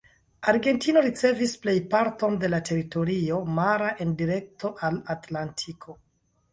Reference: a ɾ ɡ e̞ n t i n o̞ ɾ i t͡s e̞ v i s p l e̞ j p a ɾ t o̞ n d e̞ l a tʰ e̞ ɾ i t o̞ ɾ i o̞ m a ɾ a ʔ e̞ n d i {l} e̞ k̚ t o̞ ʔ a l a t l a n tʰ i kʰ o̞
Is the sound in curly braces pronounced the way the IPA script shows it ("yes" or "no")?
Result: no